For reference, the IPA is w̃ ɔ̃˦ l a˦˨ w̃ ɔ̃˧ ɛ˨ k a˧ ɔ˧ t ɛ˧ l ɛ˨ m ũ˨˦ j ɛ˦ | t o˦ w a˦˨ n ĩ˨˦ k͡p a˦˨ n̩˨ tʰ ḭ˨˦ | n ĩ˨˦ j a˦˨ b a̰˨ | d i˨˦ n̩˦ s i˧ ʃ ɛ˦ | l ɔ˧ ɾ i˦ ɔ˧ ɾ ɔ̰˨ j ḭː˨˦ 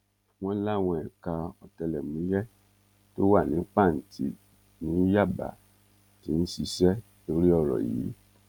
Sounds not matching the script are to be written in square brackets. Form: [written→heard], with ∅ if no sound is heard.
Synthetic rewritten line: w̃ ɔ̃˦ l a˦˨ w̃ ɔ̃˧ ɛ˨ k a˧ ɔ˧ t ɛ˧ l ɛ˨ m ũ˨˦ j ɛ˦ | t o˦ w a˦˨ n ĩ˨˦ k͡p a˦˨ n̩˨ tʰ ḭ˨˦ | n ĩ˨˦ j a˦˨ b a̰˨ | [d→t] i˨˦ n̩˦ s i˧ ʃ ɛ˦ | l [ɔ˧→o˧] ɾ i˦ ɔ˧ ɾ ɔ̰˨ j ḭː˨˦